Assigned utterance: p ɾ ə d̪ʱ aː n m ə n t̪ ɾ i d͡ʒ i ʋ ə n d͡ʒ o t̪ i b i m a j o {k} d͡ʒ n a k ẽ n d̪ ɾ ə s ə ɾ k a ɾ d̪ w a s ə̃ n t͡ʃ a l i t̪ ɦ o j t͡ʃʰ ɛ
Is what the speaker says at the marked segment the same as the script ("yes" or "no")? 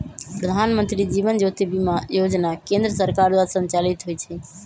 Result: no